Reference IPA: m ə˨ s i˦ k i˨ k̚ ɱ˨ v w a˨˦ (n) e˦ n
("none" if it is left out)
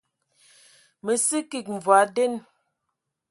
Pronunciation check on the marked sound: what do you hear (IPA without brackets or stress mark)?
d